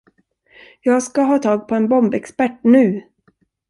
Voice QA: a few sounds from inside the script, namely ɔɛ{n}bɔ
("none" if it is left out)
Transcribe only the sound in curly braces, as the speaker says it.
n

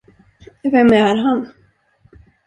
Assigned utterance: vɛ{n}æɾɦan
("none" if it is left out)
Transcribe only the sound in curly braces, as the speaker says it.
m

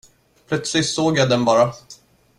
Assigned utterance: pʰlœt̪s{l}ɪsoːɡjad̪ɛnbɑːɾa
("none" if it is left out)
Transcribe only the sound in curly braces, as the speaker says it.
l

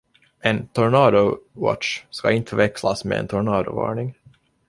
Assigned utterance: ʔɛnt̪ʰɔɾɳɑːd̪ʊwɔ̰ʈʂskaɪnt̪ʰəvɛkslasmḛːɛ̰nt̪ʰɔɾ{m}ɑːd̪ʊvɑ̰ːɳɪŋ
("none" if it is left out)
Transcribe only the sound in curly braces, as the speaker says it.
ɳ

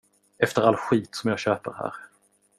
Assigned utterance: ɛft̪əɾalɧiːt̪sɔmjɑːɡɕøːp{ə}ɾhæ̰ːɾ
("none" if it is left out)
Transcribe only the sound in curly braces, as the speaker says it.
ə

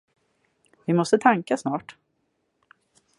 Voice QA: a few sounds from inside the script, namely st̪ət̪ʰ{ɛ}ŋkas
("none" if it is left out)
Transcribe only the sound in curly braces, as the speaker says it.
a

